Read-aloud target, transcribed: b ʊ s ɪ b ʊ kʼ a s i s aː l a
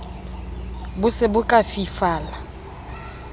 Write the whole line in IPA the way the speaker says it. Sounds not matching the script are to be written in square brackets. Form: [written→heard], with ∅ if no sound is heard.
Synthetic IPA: b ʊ s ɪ b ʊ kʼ a [s→f] i [s→f] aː l a

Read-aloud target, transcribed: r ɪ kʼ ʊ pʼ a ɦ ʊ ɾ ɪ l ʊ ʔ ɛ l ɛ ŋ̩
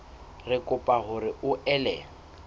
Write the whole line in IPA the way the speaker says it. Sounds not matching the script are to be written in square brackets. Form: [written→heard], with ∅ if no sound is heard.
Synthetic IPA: r ɪ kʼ ʊ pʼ a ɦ ʊ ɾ ɪ [l→∅] ʊ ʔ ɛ l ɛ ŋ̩

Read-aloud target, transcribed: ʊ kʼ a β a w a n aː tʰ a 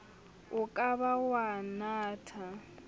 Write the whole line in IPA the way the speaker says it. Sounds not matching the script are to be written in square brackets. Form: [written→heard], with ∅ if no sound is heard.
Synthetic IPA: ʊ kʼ a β a w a n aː tʰ a

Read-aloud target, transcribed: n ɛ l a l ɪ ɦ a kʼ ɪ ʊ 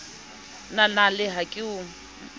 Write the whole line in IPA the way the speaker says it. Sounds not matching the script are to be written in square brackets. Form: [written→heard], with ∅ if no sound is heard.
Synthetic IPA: n [ɛ→a] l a l ɪ ɦ a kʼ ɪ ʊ

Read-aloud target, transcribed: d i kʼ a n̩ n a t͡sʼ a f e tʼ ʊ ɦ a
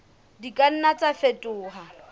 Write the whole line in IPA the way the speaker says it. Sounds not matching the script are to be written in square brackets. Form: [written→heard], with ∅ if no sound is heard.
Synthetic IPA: d i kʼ a n̩ n a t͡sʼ a f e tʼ [ʊ→ʊː] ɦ a

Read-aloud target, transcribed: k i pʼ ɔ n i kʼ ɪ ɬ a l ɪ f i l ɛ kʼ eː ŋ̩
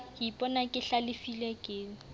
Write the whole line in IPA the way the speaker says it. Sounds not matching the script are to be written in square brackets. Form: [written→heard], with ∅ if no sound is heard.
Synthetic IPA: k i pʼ ɔ n [i→a] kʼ ɪ ɬ a l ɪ f i l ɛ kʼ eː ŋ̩

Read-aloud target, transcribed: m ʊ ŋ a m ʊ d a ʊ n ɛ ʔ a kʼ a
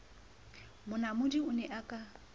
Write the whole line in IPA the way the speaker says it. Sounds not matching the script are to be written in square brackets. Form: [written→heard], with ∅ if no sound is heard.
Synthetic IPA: m ʊ [ŋ→n] a m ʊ d [a→i] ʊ n ɛ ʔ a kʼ a

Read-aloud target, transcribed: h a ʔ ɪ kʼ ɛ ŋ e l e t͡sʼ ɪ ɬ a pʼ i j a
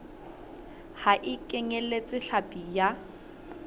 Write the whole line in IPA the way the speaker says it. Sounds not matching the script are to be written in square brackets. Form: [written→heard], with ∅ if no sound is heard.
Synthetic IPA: h a ʔ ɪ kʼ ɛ ŋ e l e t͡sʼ ɪ ɬ a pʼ i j a

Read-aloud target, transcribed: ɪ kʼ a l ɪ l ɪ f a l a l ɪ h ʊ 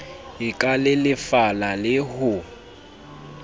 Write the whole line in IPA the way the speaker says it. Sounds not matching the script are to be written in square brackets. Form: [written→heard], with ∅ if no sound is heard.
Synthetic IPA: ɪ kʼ a l ɪ l ɪ f a l a l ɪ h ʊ

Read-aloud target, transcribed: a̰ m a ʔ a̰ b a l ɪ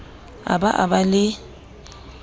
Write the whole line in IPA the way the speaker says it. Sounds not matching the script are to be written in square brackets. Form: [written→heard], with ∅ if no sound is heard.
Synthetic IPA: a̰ [m→b] a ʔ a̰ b a l ɪ

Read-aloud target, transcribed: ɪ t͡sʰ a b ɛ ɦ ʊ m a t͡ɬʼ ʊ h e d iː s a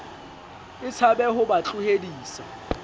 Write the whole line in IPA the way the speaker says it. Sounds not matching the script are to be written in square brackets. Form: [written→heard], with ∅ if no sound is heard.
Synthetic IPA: ɪ t͡sʰ a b ɛ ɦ ʊ [m→b] a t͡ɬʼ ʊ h e d iː s a

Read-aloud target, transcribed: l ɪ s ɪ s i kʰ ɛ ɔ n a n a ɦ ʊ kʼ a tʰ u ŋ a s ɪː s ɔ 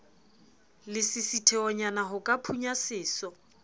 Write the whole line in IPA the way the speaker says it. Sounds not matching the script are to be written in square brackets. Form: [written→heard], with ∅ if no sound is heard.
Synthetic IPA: l ɪ s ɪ s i [kʰ→tʰ] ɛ ɔ [n→ɲ] a n a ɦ ʊ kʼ a [tʰ→pʰ] u [ŋ→ɲ] a s ɪː s ɔ

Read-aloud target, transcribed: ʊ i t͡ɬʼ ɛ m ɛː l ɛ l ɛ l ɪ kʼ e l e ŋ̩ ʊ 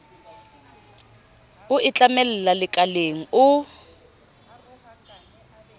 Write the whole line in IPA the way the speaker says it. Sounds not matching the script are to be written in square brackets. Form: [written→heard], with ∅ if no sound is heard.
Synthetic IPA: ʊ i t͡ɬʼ [ɛ→a] m [ɛː→ɛ] l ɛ l [ɛ→a] l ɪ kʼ [e→a] l e ŋ̩ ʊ

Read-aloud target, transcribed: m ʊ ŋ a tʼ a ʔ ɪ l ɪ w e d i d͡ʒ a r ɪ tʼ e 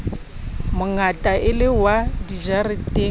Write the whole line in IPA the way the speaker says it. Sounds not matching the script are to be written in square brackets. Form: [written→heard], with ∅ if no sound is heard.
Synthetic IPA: m ʊ ŋ a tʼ a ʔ ɪ l ɪ w [e→a] d i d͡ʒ a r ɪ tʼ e

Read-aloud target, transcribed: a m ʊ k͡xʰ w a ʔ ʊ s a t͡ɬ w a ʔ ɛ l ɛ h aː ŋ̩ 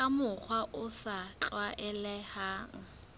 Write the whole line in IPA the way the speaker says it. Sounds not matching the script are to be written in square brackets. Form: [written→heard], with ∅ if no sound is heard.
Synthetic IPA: a m ʊ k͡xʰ w a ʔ ʊ s a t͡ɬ w a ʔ ɛ l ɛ h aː ŋ̩

